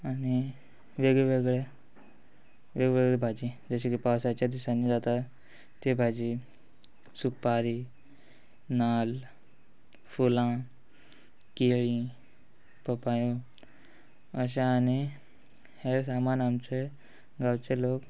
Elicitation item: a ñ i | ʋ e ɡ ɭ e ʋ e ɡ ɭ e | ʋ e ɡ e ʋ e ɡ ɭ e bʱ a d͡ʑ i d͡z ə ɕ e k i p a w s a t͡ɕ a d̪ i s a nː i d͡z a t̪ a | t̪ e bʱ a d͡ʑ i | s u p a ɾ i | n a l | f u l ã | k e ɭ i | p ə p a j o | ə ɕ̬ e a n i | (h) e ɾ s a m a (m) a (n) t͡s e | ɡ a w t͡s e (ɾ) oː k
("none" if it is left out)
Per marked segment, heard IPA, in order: h, n, m, l

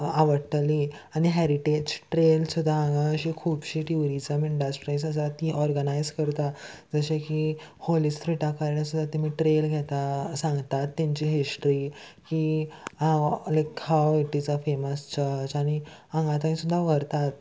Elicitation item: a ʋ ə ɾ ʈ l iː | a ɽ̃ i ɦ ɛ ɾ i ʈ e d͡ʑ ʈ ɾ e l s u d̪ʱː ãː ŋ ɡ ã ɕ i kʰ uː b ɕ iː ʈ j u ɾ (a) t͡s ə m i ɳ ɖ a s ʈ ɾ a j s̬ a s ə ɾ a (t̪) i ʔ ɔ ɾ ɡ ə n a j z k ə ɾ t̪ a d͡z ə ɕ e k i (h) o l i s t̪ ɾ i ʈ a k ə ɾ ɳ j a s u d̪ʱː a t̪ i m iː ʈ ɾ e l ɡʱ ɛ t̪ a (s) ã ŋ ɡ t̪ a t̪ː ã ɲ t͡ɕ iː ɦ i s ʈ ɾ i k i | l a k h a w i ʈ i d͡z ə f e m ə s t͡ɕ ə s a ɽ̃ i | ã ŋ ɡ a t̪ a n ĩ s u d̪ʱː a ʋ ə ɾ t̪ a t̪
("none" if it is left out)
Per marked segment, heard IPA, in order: i, t̪, h, s

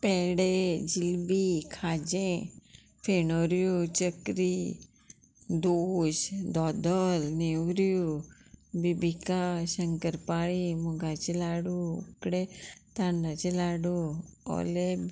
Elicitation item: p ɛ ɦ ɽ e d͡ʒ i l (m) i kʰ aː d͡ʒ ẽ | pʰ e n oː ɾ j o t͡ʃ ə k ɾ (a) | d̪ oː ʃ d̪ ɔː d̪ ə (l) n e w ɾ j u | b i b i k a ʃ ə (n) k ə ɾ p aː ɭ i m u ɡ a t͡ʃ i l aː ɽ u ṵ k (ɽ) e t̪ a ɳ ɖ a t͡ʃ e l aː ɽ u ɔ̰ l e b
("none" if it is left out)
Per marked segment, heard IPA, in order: b, i, l, ŋ, ɽ

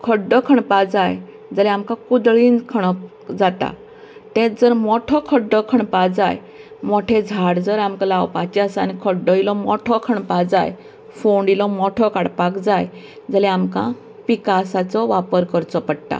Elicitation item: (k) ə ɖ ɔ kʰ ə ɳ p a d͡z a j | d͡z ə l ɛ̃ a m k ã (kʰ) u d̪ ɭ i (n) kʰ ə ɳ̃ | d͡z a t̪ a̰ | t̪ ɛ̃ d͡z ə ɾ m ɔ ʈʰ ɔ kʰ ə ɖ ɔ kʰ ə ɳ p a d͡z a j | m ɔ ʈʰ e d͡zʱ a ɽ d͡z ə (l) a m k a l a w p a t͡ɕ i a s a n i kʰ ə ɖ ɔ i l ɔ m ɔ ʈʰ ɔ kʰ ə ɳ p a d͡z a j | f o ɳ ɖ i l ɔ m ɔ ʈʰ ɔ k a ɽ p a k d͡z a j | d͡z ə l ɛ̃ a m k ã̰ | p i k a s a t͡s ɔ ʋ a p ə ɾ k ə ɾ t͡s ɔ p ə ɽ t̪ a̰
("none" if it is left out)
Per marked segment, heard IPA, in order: kʰ, k, n, ɾ

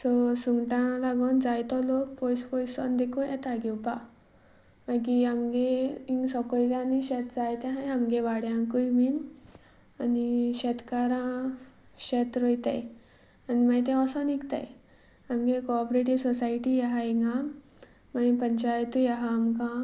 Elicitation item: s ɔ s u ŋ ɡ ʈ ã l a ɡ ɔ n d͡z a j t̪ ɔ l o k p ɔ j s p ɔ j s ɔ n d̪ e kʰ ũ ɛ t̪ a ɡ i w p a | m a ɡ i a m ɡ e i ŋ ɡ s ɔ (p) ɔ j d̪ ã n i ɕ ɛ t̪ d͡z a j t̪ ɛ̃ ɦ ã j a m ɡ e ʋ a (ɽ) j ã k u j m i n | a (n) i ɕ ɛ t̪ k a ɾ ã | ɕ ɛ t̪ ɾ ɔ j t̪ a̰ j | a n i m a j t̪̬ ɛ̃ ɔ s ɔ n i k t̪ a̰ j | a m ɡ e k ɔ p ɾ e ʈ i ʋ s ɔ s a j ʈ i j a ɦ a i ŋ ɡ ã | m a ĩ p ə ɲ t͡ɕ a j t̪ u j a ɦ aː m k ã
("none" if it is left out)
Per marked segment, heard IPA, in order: k, ɽ, n

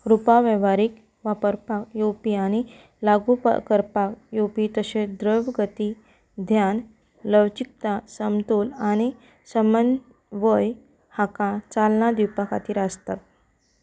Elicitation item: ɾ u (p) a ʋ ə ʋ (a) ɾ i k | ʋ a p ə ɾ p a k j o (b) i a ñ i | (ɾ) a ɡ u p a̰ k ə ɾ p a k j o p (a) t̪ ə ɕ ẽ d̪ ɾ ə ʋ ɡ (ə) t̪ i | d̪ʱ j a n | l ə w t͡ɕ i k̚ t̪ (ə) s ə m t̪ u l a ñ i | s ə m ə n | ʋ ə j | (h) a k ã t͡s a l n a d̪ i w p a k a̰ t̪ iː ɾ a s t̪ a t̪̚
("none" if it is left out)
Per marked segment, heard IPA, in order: p, a, p, l, i, ə, a, h

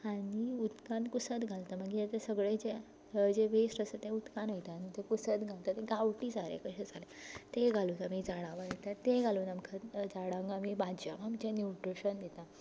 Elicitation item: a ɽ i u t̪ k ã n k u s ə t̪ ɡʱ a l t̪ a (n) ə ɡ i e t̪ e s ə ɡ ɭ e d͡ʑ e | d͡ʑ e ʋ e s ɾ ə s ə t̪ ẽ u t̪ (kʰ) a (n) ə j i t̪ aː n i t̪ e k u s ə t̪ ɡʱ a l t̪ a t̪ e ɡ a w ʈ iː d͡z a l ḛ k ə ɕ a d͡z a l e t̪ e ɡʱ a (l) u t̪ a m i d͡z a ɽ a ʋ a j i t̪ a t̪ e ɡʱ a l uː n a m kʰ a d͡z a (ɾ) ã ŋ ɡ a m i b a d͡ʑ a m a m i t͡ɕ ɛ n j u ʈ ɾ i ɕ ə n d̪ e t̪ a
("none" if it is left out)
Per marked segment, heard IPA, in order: m, k, n, l, ɽ

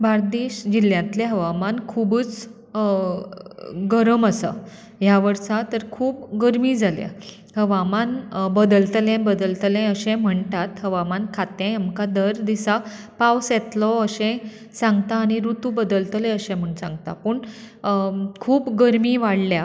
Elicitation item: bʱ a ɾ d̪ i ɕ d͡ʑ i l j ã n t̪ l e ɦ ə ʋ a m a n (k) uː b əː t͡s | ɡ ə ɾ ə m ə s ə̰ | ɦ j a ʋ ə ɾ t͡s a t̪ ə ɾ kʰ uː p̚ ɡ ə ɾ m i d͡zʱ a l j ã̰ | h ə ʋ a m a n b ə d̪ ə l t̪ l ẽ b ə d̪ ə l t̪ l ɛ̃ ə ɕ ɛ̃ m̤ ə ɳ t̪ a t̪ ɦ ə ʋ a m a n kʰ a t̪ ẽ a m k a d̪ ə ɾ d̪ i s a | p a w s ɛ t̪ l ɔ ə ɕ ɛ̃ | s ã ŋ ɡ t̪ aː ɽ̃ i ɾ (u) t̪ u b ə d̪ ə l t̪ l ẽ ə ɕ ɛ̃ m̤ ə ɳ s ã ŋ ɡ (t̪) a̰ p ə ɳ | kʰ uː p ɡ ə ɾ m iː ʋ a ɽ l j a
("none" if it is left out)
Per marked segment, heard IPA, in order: kʰ, u, t̪

